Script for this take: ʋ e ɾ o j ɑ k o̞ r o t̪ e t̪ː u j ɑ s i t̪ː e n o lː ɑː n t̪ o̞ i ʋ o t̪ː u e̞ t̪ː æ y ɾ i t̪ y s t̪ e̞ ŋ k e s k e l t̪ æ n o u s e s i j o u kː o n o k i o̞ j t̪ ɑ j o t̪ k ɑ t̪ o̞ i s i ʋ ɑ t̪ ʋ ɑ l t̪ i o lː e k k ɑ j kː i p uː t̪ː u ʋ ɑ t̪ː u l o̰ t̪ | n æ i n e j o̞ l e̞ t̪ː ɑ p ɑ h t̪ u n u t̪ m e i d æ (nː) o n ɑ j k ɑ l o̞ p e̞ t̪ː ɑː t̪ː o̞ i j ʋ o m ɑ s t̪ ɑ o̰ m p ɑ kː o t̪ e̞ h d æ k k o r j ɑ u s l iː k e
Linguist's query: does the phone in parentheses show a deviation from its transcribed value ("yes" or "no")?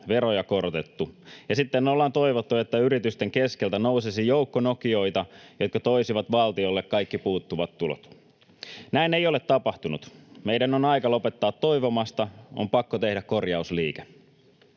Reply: yes